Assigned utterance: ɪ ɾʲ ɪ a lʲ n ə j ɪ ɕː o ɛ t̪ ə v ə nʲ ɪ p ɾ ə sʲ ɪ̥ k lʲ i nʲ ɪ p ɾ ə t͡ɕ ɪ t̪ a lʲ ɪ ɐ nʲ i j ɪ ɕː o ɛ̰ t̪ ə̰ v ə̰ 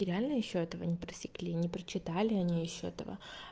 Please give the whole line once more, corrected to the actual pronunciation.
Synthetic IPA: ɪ ɾʲ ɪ a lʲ n ə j ɪ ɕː o ɛ t̪ ə v ə nʲ ɪ p ɾ ə sʲ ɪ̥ k lʲ i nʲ ɪ p ɾ ə t͡ɕ ɪ t̪ a lʲ ɪ ɐ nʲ i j ɪ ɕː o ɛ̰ t̪ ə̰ v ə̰